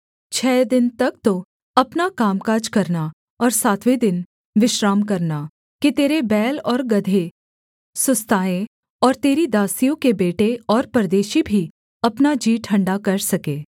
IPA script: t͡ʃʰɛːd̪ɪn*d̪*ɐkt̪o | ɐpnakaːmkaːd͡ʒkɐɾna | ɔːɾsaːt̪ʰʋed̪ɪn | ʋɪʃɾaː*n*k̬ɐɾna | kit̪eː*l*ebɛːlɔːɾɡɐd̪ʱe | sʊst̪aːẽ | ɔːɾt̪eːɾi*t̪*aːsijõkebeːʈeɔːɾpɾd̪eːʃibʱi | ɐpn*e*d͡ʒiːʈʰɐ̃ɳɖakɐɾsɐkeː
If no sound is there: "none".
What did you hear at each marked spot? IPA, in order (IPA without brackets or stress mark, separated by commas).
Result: t̪, m, ɾ, d̪, a